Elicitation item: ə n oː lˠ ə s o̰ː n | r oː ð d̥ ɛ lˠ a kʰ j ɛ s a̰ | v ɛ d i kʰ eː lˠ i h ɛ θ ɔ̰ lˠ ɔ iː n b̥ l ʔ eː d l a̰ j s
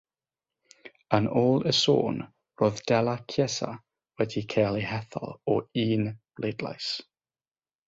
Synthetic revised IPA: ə n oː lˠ ə s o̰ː n | r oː ð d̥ ɛ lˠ a kʰ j ɛ s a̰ | w ɛ d i kʰ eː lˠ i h ɛ θ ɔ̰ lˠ ɔ iː n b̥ l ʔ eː d l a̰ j s